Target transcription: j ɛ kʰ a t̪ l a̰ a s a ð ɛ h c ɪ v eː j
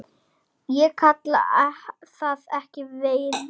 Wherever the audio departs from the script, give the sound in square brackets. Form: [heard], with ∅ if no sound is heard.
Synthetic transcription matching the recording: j ɛ kʰ a t̪ l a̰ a [θ] a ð ɛ h c ɪ v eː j